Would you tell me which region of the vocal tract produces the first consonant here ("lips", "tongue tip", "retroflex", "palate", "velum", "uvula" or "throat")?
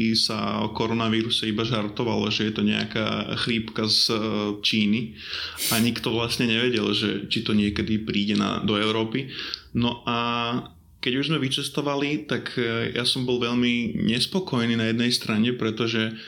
tongue tip